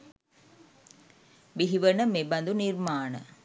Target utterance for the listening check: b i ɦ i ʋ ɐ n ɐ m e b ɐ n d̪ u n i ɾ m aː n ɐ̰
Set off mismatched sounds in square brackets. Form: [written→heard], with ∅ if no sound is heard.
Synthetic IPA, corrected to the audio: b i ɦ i ʋ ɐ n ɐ m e b ɐ n d̪ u n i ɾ m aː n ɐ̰